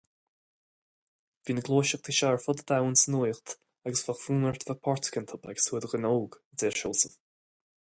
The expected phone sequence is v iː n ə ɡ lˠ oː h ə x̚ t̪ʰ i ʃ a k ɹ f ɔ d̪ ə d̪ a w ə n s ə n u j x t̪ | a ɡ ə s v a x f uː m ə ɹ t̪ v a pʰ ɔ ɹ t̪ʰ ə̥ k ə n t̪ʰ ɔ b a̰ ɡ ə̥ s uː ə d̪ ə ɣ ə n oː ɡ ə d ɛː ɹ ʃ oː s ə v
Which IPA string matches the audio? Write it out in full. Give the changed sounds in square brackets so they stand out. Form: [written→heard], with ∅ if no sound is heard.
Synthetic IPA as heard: v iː n ə ɡ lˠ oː [h→ʃ] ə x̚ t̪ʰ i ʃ a [k→∅] ɹ f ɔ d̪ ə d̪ a w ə n s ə n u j x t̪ | a ɡ ə s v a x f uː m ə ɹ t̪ v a pʰ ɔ ɹ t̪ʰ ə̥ k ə n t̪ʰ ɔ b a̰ ɡ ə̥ s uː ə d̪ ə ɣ ə n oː ɡ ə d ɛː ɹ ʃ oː s ə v